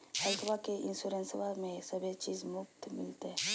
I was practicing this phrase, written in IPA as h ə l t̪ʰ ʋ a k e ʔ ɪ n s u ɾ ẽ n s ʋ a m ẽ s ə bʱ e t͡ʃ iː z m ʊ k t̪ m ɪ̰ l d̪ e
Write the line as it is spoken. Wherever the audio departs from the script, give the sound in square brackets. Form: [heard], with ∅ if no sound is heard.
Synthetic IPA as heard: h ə l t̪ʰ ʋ a k e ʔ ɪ n s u ɾ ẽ n s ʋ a m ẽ s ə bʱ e t͡ʃ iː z m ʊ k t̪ m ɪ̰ l [t̪] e

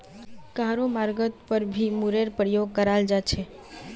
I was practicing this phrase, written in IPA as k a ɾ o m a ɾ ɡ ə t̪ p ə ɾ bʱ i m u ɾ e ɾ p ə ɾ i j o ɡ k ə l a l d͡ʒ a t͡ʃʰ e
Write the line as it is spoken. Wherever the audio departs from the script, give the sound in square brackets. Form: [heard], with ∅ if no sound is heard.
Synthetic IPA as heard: k a ɾ o m a ɾ ɡ ə t̪ p ə ɾ bʱ i m u ɾ e ɾ p ə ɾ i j o ɡ k ə [ɾ] a l d͡ʒ a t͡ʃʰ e

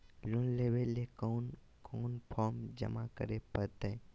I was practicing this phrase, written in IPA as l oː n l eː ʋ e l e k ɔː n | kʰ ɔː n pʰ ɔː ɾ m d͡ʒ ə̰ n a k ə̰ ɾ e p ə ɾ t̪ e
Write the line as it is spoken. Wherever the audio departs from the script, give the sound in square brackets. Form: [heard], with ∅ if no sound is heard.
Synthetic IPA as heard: l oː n l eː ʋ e l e k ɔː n | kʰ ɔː n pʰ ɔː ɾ m d͡ʒ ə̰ [m] a k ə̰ ɾ e p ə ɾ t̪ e

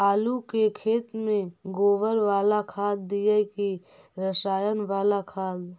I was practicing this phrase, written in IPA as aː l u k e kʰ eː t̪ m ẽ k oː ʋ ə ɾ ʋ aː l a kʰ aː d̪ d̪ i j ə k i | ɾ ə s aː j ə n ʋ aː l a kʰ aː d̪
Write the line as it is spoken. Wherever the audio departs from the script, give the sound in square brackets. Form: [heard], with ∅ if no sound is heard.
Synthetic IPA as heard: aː l u k e kʰ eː t̪ m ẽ [ɡ] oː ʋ ə ɾ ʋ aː l a kʰ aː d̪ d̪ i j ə k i | ɾ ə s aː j ə n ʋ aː l a kʰ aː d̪

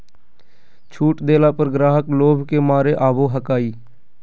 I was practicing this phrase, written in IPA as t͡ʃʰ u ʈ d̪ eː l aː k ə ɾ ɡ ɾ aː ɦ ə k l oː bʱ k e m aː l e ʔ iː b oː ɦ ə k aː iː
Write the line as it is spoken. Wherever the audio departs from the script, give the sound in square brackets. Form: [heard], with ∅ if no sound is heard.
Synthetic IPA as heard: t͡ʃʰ [uː] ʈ d̪ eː l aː [p] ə ɾ ɡ ɾ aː ɦ ə k l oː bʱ k e m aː [ɾ] e ʔ [aː] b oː ɦ ə k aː iː

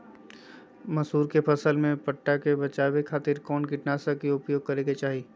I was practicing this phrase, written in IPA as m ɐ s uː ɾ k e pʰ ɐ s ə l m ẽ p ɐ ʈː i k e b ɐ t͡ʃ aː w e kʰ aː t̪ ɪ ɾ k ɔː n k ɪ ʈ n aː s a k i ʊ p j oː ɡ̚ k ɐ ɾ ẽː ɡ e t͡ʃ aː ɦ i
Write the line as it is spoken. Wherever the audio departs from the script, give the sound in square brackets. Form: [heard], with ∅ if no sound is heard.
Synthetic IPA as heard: m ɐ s uː ɾ k e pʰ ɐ s ə l m ẽ p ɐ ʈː [a] k e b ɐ t͡ʃ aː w e kʰ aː t̪ ɪ ɾ k ɔː n k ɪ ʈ n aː s a k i ʊ p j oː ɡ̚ k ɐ ɾ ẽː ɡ e t͡ʃ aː ɦ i

